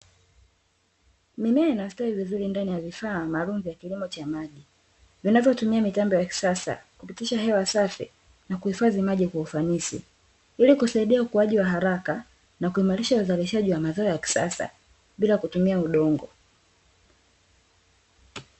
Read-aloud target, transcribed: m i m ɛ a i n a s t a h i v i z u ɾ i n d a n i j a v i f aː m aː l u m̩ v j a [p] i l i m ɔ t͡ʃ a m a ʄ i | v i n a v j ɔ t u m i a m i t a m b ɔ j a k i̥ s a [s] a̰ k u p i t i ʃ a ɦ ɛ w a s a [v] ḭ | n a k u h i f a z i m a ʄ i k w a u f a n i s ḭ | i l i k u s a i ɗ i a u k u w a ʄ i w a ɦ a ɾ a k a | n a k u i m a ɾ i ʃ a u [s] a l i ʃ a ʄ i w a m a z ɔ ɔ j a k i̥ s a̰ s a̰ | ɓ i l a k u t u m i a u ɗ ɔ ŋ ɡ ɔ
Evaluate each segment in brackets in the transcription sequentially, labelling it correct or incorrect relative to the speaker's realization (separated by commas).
incorrect, correct, incorrect, incorrect